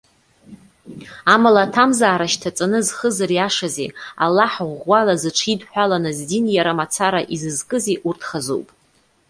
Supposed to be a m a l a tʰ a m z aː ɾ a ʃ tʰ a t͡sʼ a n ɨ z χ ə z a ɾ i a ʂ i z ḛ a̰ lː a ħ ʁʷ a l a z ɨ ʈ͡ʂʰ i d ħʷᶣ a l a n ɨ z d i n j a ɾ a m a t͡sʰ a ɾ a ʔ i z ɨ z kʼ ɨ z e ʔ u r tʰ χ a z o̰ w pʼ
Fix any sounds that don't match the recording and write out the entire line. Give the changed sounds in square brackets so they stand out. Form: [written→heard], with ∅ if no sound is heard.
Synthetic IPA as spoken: a m a l a tʰ a m z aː ɾ a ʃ tʰ a t͡sʼ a n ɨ z χ ə z a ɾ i a ʂ [i→a] z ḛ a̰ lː a ħ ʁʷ a l a z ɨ ʈ͡ʂʰ i d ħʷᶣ a l a n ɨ z d i n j a ɾ a m a t͡sʰ a ɾ a ʔ i z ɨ z kʼ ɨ z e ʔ u r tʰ χ a z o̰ w pʼ